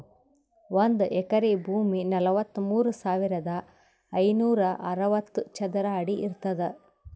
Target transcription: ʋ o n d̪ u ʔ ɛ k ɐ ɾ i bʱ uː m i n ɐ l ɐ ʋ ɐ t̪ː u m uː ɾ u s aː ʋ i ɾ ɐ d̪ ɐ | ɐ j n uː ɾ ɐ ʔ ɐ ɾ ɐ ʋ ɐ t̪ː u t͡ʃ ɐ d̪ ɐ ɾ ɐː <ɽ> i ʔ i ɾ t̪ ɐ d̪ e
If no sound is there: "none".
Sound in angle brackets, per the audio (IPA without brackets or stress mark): ɽ